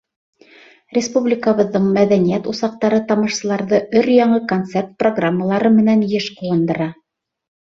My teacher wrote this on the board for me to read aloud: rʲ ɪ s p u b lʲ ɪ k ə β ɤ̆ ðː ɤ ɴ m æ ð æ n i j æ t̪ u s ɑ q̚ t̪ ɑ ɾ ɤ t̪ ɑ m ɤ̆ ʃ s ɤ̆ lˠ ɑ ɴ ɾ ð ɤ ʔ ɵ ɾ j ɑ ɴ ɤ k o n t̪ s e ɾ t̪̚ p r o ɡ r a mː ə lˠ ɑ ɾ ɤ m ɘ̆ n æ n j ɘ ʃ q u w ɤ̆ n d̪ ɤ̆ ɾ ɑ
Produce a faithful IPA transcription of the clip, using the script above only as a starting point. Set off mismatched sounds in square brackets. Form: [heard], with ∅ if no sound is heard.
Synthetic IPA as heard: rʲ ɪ s p u b lʲ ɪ k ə β ɤ̆ ðː ɤ ɴ m æ ð æ n i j æ t̪ u s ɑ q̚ t̪ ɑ ɾ ɤ t̪ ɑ m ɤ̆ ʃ s ɤ̆ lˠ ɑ [∅] ɾ ð ɤ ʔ ɵ ɾ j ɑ ɴ ɤ k o n t̪ s e [r] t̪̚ p r o ɡ r a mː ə lˠ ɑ ɾ ɤ m ɘ̆ n æ n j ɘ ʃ q u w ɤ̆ n d̪ ɤ̆ ɾ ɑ